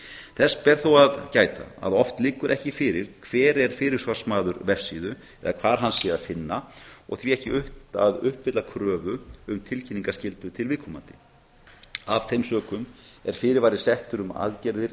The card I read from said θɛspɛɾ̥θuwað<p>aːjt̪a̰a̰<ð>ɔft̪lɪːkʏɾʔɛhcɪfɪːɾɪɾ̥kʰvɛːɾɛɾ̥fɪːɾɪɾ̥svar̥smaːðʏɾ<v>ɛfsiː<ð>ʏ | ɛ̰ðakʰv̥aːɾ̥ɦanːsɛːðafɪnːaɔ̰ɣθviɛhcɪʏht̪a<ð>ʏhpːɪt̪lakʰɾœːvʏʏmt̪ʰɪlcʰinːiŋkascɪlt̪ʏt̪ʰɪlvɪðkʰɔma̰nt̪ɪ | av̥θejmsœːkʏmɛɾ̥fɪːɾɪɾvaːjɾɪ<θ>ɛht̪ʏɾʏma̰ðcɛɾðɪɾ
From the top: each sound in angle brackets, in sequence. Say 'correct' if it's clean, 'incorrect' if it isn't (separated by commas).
incorrect, correct, correct, correct, correct, incorrect